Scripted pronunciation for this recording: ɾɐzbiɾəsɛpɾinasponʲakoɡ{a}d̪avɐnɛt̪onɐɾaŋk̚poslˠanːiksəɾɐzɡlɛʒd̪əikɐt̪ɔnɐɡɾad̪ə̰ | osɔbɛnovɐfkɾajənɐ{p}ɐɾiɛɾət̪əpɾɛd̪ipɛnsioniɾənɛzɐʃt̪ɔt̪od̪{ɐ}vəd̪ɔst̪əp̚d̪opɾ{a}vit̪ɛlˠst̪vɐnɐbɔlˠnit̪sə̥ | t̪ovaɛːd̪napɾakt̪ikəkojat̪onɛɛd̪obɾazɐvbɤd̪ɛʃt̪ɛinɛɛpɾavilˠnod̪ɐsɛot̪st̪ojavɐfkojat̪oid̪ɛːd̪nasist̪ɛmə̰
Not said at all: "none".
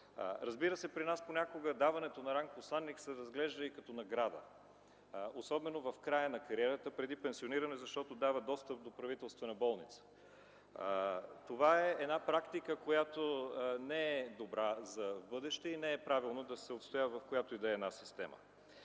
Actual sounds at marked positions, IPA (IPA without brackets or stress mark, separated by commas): ə, k, a, ɐ